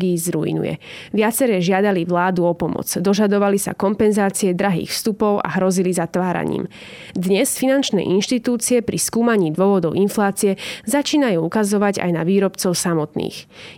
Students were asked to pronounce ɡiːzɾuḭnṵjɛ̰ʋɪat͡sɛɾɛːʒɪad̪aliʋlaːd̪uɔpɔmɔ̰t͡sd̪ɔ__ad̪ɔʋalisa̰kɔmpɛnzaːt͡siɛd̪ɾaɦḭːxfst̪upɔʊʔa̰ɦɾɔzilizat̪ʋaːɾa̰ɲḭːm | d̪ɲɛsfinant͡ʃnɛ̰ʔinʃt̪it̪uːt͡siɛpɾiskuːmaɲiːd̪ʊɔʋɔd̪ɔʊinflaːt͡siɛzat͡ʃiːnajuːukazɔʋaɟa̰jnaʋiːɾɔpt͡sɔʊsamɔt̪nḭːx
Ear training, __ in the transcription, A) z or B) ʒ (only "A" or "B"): B